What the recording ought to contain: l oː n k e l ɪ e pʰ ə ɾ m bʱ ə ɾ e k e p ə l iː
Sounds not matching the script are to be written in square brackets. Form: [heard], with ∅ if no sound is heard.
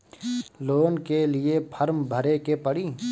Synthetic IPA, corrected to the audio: l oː n k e l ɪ e pʰ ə ɾ m bʱ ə ɾ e k e p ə [ɽ] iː